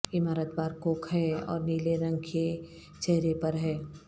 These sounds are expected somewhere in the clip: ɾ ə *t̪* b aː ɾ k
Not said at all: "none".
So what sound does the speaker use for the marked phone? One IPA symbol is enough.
t̪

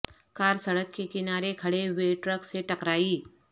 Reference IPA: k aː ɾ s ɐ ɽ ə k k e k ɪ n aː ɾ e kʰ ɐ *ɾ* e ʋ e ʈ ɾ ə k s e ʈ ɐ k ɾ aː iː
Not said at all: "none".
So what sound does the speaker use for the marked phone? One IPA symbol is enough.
ɽ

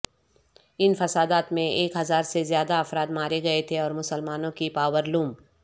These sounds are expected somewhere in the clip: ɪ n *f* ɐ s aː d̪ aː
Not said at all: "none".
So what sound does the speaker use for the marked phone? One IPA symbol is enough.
f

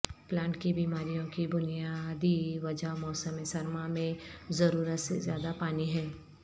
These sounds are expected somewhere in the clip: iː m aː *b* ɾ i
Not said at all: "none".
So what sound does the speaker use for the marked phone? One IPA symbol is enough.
none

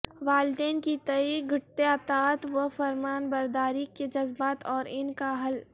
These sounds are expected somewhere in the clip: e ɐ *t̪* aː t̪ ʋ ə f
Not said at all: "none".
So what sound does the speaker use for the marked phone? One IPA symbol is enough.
t̪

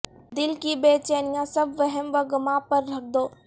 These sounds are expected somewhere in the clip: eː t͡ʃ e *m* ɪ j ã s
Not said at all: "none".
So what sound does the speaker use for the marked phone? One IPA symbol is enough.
n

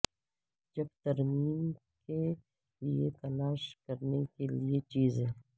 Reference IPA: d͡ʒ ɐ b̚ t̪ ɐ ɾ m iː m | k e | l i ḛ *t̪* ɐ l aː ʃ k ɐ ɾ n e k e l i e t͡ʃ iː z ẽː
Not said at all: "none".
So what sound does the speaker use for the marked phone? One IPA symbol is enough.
t̪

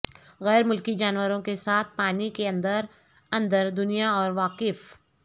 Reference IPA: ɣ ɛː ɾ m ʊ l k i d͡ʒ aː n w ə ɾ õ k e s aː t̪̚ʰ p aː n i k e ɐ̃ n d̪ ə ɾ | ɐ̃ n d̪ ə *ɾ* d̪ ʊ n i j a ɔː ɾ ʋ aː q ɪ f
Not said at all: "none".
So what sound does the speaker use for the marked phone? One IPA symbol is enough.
ɾ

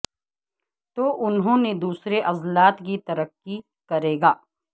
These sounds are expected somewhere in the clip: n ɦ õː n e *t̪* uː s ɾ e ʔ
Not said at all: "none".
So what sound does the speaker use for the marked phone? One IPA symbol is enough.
d̪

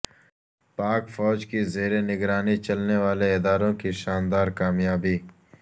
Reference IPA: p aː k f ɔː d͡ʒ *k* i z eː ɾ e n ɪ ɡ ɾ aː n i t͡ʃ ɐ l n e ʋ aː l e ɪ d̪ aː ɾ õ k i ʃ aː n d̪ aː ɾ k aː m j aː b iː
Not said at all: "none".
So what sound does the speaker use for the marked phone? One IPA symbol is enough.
k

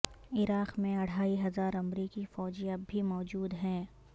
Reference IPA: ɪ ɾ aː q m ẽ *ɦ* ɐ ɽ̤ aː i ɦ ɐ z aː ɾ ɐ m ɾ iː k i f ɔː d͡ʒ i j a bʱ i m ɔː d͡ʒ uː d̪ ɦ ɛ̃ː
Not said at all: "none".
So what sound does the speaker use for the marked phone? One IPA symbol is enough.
none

